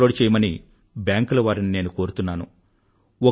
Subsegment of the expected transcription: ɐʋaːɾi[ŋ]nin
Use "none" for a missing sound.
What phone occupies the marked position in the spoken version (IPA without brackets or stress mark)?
none